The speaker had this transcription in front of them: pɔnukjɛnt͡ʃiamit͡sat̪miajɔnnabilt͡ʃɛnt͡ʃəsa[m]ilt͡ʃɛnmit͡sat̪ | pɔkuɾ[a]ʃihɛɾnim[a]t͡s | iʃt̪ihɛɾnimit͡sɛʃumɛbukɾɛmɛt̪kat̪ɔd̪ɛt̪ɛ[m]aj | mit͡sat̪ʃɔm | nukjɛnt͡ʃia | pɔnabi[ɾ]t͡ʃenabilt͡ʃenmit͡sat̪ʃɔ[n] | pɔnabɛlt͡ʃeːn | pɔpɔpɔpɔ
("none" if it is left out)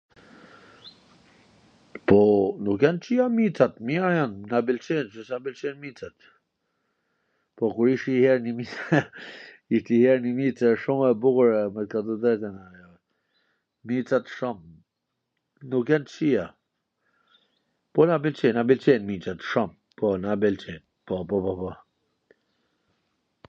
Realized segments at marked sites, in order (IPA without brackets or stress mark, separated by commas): b, i, i, n, l, m